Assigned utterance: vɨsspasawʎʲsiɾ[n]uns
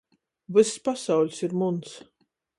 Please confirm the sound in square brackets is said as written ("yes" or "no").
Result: no